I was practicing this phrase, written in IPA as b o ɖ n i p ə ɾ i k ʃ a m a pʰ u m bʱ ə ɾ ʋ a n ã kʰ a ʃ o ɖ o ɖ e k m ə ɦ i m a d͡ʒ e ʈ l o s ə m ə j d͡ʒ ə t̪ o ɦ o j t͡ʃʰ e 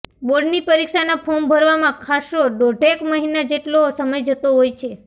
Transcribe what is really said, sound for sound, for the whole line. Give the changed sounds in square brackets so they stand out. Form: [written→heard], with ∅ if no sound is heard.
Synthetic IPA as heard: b o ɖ n i p ə ɾ i k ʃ a [m→n] a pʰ [u→o] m bʱ ə ɾ ʋ a [n→m] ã kʰ a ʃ o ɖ o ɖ e k m ə ɦ i [m→n] a d͡ʒ e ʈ l o s ə m ə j d͡ʒ ə t̪ o ɦ o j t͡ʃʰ e